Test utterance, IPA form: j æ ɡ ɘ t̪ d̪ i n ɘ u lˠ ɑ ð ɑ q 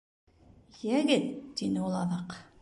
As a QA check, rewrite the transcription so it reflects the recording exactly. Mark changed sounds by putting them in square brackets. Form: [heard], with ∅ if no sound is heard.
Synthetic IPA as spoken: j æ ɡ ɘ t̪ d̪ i n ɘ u lˠ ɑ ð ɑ q